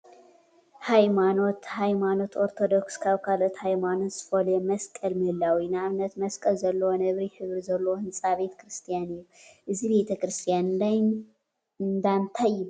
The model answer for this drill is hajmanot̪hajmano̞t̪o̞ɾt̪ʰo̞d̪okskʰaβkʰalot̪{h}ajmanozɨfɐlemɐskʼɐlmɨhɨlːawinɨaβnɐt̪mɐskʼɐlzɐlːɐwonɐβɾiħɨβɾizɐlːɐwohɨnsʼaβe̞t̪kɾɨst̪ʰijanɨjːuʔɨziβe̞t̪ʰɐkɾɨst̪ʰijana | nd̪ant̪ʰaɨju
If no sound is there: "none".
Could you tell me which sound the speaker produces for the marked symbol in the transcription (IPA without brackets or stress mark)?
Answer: h